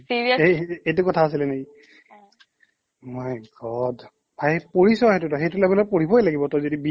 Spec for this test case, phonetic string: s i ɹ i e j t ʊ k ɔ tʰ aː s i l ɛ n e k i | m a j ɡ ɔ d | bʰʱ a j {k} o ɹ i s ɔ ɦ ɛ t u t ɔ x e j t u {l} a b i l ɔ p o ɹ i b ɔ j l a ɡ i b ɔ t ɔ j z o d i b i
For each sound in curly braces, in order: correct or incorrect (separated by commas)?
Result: incorrect, correct